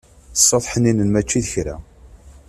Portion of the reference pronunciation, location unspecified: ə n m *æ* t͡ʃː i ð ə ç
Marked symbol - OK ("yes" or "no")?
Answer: yes